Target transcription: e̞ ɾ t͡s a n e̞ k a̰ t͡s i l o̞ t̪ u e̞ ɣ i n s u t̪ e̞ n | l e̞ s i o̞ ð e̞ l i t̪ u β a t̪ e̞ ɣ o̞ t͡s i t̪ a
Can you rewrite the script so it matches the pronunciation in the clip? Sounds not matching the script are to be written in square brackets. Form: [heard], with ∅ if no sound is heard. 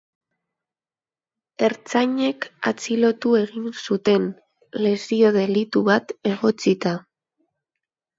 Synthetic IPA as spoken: e̞ ɾ t͡s a [ɲ] e̞ k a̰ t͡s i l o̞ t̪ u e̞ ɣ i n s u t̪ e̞ n | l e̞ s i o̞ ð e̞ l i t̪ u β a t̪ e̞ ɣ o̞ t͡s i t̪ a